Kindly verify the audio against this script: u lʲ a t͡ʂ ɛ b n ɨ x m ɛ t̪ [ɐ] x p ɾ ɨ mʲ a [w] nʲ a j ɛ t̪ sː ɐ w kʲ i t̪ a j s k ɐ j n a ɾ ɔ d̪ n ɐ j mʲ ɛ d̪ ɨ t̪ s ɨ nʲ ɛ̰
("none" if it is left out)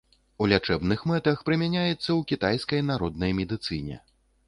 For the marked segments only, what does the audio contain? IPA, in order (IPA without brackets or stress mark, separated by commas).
ɐ, none